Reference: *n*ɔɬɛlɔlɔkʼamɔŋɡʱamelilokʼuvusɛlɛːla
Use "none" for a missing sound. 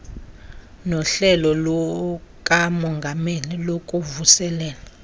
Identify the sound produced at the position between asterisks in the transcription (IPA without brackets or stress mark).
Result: n